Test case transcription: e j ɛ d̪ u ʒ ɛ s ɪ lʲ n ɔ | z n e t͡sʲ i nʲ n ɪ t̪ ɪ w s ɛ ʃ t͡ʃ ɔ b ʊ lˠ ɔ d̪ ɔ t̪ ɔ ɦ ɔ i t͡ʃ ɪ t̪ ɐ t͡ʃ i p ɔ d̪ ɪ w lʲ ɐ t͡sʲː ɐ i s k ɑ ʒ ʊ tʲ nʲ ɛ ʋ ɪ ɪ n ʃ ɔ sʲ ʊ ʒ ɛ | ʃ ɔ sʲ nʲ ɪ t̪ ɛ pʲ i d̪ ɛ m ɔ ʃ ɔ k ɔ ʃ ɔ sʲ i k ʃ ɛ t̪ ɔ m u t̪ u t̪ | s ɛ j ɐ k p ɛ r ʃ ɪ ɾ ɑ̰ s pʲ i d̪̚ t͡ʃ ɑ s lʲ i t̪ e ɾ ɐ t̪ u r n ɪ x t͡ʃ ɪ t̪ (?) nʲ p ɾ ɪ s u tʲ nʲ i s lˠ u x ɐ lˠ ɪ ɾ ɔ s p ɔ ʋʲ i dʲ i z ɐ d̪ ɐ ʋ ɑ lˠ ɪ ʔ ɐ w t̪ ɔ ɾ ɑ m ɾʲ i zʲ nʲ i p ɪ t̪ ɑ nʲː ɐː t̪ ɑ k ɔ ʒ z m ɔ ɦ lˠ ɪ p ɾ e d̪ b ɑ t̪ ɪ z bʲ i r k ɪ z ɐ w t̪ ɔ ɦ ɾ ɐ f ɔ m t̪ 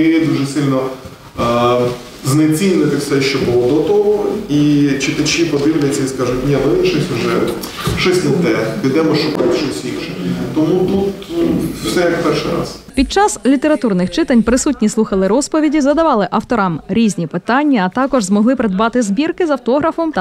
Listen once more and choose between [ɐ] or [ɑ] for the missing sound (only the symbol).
ɐ